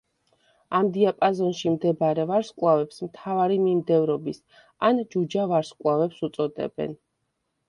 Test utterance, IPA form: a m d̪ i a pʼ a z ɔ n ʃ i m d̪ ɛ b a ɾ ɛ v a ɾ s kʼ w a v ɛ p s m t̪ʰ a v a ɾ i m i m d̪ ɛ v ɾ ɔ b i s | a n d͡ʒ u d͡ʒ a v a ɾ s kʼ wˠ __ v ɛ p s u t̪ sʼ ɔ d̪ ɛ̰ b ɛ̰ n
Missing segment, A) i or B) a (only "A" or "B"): B